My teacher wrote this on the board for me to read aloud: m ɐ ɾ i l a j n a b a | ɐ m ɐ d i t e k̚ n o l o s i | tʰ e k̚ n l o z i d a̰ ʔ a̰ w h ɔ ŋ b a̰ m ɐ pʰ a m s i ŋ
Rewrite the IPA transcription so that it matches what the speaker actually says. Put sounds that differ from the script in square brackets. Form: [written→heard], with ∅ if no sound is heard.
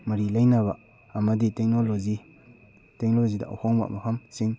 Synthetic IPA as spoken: m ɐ ɾ i l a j n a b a | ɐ m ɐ d i t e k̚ n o l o [s→z] i | [tʰ→t] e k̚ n l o z i d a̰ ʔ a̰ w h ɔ ŋ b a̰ m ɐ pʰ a m s i ŋ

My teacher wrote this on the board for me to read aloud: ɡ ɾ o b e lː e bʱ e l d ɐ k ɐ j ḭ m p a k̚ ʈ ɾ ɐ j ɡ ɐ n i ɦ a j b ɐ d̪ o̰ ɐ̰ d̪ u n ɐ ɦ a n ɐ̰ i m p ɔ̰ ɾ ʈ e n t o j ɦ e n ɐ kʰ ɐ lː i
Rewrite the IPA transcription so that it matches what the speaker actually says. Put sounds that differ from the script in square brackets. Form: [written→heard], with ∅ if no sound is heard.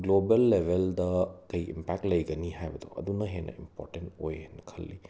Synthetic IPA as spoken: ɡ [ɾ→l] o b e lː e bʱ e l d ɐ k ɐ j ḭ m p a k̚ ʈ [ɾ→l] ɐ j ɡ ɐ n i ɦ a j b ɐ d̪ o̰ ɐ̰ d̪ u n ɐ ɦ [a→e] n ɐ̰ i m p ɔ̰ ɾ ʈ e n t o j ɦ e n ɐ kʰ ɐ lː i

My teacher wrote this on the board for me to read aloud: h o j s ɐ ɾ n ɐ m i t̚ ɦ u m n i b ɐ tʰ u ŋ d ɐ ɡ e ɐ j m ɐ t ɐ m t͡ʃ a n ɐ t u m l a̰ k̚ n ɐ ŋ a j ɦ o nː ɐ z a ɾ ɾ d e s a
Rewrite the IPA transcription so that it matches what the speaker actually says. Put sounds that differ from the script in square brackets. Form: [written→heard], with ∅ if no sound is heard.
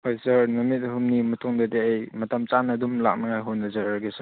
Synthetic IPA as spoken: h o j s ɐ ɾ n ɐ m i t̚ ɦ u m n i [b→m] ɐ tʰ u ŋ d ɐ [ɡ→d] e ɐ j m ɐ t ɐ m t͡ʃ a n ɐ [t→d] u m l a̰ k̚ n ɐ ŋ a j ɦ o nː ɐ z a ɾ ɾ [d→ɡ] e s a

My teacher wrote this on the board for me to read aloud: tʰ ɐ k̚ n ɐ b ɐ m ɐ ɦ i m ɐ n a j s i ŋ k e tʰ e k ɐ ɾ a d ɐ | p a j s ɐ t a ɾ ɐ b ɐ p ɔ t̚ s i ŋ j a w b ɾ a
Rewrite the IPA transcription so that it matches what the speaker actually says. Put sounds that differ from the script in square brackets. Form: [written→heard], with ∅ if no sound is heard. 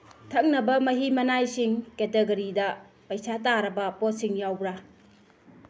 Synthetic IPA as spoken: tʰ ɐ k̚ n ɐ b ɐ m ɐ ɦ i m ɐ n a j s i ŋ k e [tʰ→t] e [k→ɡ] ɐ ɾ [a→i] d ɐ | p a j s [ɐ→a] t a ɾ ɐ b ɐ p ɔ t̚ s i ŋ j a w b ɾ a

